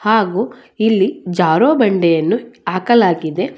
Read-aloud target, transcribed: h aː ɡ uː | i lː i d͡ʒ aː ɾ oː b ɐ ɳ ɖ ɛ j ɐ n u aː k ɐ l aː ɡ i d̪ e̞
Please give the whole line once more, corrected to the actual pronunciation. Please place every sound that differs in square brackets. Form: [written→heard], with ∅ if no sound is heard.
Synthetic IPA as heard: h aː ɡ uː | i lː i d͡ʒ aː ɾ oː b ɐ ɳ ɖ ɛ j ɐ [n→nː] u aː k ɐ l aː ɡ i d̪ e̞